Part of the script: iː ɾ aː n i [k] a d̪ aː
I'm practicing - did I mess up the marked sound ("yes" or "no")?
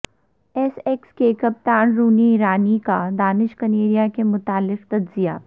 no